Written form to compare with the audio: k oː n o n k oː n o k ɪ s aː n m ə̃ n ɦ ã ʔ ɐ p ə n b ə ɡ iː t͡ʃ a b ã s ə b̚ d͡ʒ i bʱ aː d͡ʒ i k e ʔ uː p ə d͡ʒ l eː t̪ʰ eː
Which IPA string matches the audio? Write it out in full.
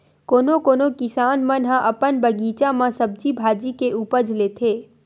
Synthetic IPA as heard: k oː n o k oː n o k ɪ s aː n m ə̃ n ɦ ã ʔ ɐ p ə n b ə ɡ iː t͡ʃ a m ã s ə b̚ d͡ʒ i bʱ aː d͡ʒ i k e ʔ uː p ə d͡ʒ l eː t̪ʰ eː